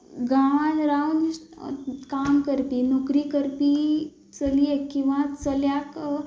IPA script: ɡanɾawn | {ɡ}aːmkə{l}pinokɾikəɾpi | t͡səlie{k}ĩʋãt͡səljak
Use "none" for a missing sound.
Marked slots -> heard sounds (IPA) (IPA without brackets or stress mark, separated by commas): k, ɾ, k